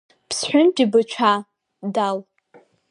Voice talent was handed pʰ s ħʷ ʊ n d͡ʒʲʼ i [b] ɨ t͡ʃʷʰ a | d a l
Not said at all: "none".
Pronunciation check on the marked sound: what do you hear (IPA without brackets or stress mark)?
b